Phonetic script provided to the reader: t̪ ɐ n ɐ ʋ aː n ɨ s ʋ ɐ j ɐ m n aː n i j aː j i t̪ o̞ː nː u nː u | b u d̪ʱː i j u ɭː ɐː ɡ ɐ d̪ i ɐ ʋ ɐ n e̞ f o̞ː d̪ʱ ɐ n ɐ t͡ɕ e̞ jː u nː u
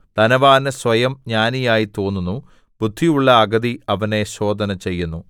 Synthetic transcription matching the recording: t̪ ɐ n ɐ ʋ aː n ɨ s ʋ ɐ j ɐ m ɲ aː n i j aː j i t̪ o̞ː nː u nː u | b u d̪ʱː i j u ɭː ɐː ɡ ɐ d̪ i ɐ ʋ ɐ n e̞ ɕ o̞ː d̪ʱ ɐ n ɐ t͡ɕ e̞ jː u nː u